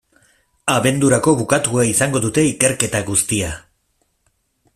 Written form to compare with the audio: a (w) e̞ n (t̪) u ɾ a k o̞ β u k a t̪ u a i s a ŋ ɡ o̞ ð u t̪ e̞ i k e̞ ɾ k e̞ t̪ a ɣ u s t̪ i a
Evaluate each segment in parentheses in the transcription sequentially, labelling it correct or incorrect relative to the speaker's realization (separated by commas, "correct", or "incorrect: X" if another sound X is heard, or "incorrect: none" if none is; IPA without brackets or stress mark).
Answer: incorrect: β, incorrect: d̪